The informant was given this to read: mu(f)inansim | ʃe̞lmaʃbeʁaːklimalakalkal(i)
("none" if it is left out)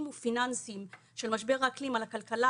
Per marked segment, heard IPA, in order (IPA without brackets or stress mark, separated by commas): f, a